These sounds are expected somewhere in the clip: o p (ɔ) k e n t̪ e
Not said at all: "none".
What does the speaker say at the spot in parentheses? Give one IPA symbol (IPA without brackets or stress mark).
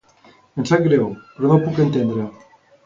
u